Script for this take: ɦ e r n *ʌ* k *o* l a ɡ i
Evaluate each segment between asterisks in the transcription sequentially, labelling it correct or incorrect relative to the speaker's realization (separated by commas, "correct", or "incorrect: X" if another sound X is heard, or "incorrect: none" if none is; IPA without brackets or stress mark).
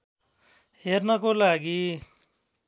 correct, correct